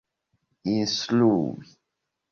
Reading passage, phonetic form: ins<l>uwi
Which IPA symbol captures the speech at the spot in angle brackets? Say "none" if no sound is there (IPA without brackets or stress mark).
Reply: l